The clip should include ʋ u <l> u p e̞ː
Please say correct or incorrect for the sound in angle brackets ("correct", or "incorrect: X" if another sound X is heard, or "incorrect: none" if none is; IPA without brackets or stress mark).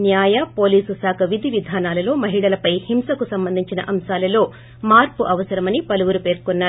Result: incorrect: ɾ